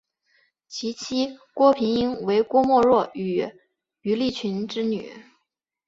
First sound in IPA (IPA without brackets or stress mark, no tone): t͡ɕʰ